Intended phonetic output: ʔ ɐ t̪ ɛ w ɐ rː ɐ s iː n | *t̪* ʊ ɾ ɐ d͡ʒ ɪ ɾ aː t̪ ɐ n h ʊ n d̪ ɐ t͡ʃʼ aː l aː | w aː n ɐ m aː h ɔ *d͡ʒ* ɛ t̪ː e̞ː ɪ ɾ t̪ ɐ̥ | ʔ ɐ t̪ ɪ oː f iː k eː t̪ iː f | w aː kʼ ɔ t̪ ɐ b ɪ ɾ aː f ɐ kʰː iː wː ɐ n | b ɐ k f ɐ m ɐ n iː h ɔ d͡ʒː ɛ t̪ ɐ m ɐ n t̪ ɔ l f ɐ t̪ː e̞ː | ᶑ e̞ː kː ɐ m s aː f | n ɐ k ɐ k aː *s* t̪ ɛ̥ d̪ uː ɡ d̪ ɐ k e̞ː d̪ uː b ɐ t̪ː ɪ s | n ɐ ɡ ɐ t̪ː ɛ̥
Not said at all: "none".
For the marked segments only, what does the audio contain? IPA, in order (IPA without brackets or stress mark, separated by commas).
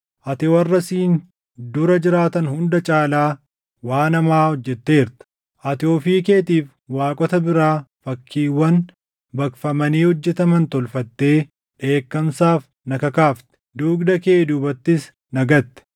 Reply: d̪, d͡ʒː, f